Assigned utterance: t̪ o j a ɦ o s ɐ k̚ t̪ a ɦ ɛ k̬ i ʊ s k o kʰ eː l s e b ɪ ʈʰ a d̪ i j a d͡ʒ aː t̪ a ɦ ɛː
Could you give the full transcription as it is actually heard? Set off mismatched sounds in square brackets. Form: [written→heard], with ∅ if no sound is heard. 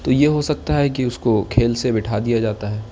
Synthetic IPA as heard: t̪ o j [a→e] ɦ o s ɐ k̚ t̪ a ɦ ɛ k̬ i ʊ s k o kʰ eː l s e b ɪ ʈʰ a d̪ i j a d͡ʒ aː t̪ a ɦ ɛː